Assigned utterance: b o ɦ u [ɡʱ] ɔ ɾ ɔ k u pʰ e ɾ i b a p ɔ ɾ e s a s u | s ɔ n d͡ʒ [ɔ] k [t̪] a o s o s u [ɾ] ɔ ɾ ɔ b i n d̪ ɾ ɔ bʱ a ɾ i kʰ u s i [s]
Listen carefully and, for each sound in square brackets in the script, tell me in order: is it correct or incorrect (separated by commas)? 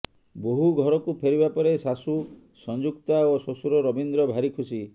correct, incorrect, correct, correct, incorrect